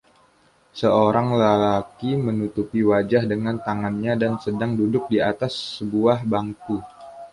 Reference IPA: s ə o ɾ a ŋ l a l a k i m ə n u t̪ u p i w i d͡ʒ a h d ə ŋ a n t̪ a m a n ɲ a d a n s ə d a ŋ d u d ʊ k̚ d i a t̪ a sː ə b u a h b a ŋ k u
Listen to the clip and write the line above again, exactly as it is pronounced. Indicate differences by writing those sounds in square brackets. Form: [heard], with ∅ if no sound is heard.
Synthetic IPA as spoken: s ə o ɾ a ŋ l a l a k i m ə n u t̪ u p i w [a] d͡ʒ a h d ə ŋ a n t̪ a [ŋ] a n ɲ a d a n s ə d a ŋ d u d ʊ k̚ d i a t̪ a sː ə b u a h b a ŋ k u